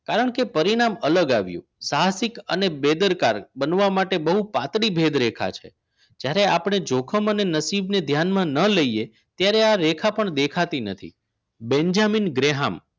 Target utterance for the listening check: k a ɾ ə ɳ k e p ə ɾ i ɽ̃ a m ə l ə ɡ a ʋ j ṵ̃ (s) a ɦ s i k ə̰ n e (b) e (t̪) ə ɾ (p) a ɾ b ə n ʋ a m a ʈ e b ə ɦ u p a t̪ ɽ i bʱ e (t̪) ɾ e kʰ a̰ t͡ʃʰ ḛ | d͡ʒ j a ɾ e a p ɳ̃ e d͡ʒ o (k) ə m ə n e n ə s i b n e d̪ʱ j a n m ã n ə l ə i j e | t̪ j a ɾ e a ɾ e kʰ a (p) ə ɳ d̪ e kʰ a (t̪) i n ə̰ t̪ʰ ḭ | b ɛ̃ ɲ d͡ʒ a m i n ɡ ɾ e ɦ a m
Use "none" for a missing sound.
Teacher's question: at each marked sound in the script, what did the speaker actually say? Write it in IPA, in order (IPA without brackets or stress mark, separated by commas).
s, b, d̪, k, d̪, kʰ, p, t̪